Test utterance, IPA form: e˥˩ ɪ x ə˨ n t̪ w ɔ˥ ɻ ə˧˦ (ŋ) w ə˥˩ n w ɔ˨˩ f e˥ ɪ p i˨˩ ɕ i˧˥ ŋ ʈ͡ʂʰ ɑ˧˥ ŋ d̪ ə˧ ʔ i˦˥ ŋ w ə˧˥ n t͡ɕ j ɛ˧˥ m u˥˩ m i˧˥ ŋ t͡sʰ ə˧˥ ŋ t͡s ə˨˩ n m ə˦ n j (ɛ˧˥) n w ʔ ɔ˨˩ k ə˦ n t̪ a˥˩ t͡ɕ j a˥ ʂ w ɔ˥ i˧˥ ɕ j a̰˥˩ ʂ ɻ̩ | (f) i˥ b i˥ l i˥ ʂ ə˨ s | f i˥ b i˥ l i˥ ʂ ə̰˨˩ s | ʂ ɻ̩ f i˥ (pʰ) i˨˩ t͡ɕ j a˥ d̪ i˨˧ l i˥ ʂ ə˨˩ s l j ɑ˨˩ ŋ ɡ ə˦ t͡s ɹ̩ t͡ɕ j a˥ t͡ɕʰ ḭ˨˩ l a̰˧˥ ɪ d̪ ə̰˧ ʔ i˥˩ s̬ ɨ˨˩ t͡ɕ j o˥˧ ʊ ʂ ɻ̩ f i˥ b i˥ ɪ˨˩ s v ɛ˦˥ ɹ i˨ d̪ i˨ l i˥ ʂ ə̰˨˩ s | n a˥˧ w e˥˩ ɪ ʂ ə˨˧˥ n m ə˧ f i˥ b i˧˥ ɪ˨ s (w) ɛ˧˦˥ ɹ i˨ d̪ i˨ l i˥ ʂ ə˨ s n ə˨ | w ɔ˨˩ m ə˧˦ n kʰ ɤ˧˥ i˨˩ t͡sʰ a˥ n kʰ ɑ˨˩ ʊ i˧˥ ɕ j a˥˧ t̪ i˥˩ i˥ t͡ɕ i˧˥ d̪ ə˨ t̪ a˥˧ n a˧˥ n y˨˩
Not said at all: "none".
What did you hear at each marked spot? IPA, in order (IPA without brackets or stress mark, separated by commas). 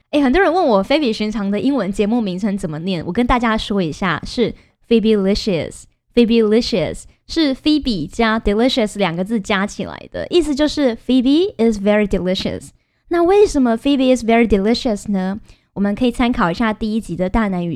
n, ɛ˥˩, f, p, v